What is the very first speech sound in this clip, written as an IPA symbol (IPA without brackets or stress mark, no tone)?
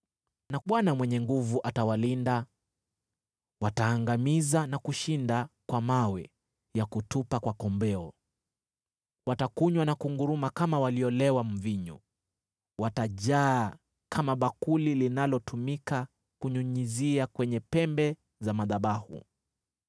n